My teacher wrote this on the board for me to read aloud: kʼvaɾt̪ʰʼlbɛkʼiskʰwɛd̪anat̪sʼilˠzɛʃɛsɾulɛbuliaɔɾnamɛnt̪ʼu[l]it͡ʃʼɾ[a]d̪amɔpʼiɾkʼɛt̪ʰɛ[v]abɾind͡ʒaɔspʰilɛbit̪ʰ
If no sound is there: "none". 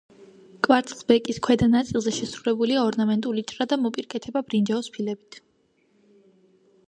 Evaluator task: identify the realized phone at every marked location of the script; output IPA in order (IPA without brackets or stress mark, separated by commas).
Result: l, a, b